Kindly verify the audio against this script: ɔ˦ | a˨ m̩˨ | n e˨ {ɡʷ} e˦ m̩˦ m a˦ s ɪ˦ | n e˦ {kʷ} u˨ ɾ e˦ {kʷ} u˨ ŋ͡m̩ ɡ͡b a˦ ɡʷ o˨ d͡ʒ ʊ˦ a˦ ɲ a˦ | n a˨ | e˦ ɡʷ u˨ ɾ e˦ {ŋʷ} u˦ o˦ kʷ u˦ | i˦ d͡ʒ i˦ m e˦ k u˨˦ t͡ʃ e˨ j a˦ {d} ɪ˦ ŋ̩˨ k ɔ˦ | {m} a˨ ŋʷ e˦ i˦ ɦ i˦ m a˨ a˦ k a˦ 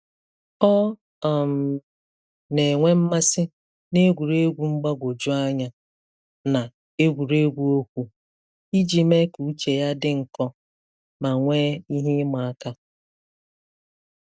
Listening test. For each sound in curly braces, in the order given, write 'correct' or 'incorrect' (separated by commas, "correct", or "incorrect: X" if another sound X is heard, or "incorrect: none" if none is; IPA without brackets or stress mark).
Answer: incorrect: ŋʷ, incorrect: ɡʷ, incorrect: ɡʷ, incorrect: ɡʷ, correct, correct